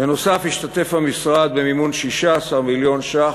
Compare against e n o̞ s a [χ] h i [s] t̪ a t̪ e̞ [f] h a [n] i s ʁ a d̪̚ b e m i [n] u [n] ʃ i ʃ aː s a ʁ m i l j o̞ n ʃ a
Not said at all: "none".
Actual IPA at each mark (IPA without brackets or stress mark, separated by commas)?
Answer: f, ʃ, f, m, m, n